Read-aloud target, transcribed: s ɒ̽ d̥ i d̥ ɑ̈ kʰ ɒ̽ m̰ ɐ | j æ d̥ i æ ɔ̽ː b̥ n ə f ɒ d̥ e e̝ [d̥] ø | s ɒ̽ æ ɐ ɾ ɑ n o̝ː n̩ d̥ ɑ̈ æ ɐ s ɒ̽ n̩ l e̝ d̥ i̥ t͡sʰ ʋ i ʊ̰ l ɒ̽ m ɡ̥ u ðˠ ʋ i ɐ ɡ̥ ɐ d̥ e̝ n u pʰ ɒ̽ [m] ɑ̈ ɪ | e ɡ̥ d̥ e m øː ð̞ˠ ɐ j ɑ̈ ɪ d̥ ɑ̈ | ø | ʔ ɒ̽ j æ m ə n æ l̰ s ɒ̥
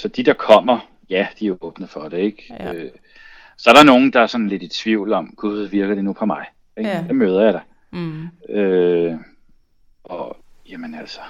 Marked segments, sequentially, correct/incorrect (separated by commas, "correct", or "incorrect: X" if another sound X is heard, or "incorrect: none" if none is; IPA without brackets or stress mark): incorrect: ɡ̥, correct